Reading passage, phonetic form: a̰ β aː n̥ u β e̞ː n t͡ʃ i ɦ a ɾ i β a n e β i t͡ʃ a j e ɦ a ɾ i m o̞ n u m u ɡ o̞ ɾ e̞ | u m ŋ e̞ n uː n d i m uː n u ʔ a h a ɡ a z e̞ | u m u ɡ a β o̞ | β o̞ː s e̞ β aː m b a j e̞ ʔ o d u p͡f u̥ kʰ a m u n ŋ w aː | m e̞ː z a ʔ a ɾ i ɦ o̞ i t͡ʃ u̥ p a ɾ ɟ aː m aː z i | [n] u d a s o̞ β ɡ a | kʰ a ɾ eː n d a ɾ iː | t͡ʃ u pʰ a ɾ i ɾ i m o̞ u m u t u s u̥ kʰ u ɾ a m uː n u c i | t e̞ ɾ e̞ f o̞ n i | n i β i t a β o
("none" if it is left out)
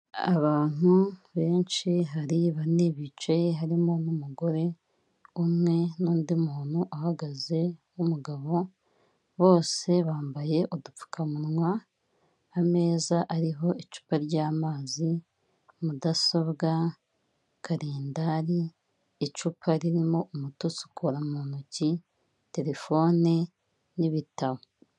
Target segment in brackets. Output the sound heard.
m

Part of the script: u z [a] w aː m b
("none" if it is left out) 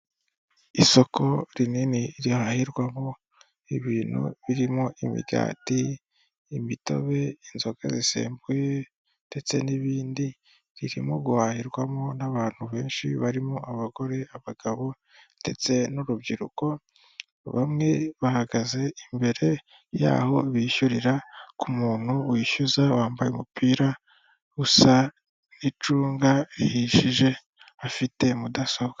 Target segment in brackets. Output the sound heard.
a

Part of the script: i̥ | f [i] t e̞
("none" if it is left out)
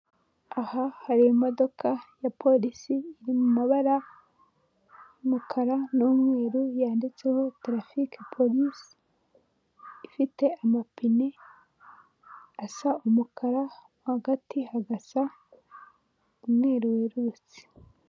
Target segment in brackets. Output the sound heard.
i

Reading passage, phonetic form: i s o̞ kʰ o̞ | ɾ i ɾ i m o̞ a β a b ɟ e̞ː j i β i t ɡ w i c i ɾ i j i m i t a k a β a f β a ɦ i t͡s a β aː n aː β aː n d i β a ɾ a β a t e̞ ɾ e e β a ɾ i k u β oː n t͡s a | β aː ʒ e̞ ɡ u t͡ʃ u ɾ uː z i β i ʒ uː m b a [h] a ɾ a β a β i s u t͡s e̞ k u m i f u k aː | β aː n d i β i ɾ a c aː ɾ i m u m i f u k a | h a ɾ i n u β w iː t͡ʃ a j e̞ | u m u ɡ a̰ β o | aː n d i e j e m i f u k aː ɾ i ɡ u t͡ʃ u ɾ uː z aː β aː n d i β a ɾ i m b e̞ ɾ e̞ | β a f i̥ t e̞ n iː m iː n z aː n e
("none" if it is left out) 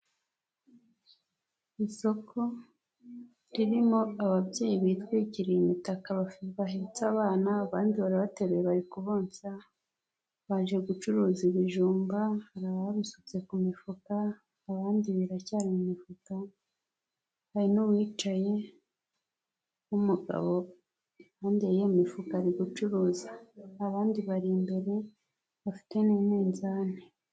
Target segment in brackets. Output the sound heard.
h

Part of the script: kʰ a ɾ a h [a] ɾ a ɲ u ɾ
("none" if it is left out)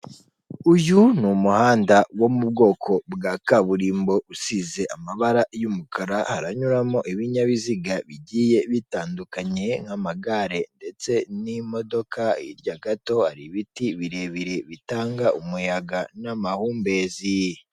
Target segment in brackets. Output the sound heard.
a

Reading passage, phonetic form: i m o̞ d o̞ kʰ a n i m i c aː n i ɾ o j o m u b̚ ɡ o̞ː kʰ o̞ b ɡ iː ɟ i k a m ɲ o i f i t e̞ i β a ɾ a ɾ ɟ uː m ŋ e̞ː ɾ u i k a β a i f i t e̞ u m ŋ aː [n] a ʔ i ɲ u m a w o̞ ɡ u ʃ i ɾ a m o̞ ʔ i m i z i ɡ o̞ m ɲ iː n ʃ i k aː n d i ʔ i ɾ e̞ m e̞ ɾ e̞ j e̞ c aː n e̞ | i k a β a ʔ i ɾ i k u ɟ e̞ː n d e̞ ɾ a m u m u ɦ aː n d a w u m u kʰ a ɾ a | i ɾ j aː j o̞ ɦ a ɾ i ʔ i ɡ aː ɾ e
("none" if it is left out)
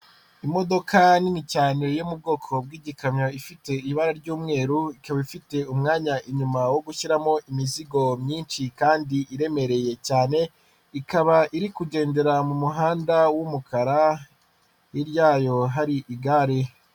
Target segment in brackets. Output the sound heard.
ɲ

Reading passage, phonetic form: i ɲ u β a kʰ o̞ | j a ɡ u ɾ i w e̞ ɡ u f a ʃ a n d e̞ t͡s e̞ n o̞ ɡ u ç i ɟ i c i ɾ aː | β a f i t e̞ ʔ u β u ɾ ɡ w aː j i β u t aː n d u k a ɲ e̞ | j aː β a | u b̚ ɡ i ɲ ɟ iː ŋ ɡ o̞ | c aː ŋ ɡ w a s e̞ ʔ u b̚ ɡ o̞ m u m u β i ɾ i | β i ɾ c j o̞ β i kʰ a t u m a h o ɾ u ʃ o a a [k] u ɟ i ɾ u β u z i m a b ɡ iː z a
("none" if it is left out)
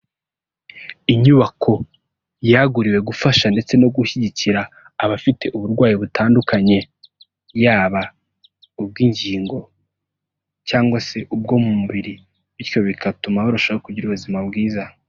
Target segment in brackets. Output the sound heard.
k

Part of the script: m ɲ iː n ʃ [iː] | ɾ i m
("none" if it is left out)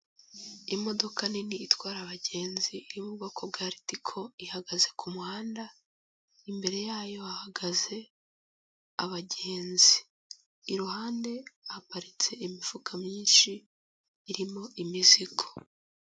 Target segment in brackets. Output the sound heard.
iː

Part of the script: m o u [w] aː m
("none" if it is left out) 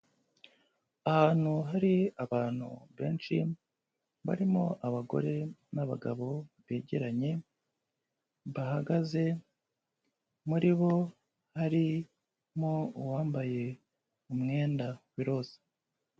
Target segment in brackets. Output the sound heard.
w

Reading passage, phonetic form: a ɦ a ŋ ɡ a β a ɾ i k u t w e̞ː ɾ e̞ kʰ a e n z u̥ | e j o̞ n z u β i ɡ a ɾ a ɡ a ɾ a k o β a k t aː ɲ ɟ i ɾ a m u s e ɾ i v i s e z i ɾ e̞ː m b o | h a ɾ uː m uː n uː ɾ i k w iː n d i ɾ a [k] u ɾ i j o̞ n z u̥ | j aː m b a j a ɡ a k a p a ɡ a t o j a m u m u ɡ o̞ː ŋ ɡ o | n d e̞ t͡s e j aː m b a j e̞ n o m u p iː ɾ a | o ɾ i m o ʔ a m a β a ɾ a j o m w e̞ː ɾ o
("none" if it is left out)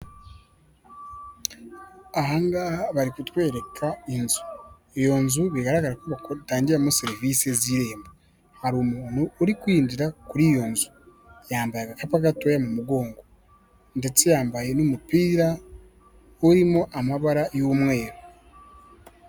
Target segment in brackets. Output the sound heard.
k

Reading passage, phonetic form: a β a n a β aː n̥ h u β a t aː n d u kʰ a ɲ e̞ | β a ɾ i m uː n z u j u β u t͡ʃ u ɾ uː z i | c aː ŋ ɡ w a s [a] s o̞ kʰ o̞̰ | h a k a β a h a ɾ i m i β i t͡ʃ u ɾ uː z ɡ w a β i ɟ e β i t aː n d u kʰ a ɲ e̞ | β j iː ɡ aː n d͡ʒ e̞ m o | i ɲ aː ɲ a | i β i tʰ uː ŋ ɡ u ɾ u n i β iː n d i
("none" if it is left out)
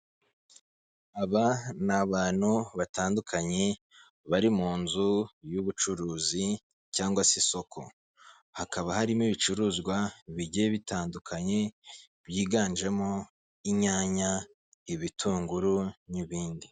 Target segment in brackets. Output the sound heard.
i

